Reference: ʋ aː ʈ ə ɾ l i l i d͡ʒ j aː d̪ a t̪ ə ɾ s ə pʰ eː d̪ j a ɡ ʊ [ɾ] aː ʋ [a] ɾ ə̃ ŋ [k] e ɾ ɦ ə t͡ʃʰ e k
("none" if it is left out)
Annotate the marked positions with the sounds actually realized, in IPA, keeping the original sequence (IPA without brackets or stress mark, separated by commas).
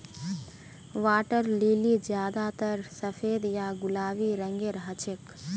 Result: l, i, ɡ